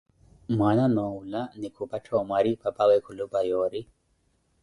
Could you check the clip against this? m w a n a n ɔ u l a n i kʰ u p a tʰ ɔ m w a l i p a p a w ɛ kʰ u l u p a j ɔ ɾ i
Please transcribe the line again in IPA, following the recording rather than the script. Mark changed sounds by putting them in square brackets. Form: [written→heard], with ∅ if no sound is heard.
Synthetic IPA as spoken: m w a n a n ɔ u l a n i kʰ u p a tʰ ɔ m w a [l→ɾ] i p a p a w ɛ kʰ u l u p a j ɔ ɾ i